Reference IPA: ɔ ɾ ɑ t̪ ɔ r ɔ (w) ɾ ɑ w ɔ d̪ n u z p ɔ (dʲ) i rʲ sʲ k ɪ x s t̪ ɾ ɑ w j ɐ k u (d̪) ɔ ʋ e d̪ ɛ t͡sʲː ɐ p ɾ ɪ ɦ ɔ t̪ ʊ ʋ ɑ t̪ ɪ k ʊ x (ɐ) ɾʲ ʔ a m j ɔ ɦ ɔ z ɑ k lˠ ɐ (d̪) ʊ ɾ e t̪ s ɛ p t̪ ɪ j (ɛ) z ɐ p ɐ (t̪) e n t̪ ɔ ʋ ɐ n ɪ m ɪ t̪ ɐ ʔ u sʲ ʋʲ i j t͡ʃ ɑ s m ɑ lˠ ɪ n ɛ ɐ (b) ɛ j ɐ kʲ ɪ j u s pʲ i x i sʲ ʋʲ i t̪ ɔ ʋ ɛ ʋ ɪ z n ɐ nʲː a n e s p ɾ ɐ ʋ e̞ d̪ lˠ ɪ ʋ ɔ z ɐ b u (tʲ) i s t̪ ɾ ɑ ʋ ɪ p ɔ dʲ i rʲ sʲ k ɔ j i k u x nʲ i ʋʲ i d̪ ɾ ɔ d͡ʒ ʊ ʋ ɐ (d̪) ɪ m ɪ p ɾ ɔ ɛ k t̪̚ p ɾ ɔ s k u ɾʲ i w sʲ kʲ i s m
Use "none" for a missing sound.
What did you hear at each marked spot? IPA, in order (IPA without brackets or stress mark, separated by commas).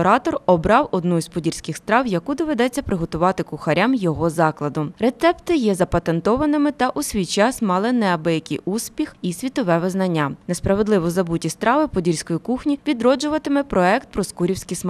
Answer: b, dʲ, d̪, ɐ, d̪, ɛ, t̪, b, tʲ, t̪